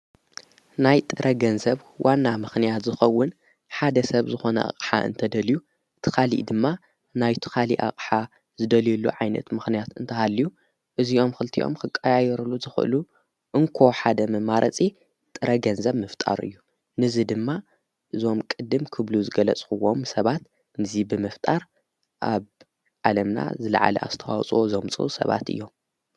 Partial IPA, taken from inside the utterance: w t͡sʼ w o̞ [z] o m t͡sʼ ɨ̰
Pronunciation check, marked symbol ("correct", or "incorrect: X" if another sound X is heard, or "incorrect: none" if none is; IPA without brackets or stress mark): correct